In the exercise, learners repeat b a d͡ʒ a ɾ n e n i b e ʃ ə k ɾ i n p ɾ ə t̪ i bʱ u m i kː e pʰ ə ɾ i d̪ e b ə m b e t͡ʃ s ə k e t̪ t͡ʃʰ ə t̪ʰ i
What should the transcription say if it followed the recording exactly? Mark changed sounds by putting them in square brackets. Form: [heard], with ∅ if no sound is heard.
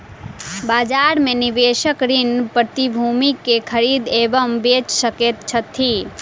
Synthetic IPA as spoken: b a d͡ʒ a ɾ [m] e n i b e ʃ ə k ɾ i n p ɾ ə t̪ i bʱ u m i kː e [kʰ] ə ɾ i d̪ e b ə m b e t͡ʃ s ə k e t̪ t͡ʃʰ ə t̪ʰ i